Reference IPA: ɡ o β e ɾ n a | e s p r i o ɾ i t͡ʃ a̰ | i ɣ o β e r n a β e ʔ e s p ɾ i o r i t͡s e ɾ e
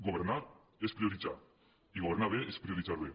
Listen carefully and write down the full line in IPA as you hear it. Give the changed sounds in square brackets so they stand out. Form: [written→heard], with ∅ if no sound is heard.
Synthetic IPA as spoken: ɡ o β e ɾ n a | e s p [r→ɾ] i o ɾ i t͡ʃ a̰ | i ɣ o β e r n a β e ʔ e s p ɾ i o [r→ɾ] i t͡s [e→a] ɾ e